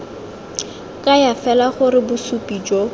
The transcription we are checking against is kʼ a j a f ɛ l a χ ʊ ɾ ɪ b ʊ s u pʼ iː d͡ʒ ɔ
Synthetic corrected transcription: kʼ a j a f ɛ l a χ ʊ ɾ ɪ b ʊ s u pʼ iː d͡ʒ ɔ

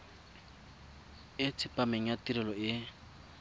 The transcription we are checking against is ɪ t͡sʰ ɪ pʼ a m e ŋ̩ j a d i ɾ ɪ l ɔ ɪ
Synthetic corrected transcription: ɪ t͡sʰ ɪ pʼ a m e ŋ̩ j a t i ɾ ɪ l ɔ ɪ

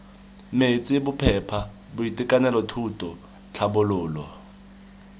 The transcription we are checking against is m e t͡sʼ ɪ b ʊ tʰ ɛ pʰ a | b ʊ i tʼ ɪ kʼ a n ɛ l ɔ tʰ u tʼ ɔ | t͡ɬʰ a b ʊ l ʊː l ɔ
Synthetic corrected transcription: m e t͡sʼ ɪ b ʊ pʰ ɛ pʰ a | b ʊ i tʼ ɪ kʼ a n ɛ l ɔ tʰ u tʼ ɔ | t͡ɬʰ a b ʊ l ʊː l ɔ

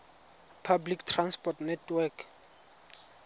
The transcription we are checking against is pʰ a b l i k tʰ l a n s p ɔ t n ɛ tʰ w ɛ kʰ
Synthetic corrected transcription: pʰ a b l i k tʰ r a n s p ɔ t n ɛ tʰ w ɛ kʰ

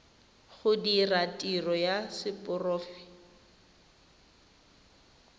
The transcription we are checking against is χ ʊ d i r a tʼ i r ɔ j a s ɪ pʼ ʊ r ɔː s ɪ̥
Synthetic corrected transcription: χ ʊ d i r a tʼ i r ɔ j a s ɪ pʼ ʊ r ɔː f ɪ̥

